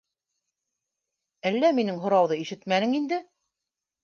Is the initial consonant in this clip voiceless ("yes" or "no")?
no